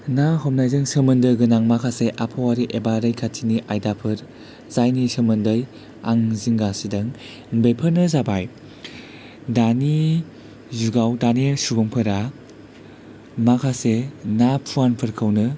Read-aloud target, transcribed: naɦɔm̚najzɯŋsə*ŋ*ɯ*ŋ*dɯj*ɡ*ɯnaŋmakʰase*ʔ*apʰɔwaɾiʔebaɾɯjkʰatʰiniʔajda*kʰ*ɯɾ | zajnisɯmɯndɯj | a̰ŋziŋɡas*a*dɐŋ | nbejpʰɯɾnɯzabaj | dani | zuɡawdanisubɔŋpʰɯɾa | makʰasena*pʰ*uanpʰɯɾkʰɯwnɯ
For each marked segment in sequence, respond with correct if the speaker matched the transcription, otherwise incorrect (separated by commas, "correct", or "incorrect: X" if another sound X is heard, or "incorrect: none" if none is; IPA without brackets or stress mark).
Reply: incorrect: m, incorrect: n, correct, correct, incorrect: pʰ, incorrect: i, correct